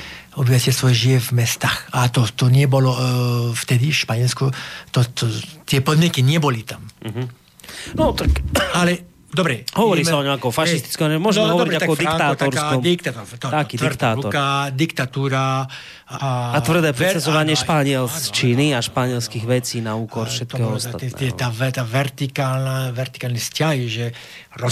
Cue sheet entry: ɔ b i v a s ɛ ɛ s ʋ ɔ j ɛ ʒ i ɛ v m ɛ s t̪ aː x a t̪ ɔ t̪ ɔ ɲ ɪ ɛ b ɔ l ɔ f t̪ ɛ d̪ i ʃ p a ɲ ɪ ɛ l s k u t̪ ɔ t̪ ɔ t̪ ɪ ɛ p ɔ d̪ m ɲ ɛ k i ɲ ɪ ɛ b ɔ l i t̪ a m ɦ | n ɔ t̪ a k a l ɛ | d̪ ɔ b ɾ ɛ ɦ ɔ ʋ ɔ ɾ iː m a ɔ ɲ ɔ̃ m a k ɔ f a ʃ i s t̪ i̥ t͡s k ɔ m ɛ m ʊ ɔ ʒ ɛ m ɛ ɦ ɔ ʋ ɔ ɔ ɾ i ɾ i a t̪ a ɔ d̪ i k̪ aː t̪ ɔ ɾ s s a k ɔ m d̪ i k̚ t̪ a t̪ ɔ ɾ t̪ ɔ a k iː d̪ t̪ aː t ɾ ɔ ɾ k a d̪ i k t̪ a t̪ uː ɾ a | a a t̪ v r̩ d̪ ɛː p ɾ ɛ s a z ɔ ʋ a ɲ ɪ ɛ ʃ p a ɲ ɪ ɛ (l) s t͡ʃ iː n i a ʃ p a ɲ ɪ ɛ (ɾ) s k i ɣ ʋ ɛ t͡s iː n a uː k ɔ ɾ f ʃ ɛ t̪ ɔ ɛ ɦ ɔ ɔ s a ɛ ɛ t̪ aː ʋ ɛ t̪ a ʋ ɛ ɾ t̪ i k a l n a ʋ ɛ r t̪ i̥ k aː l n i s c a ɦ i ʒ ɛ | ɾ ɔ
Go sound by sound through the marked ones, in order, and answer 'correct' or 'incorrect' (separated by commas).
correct, incorrect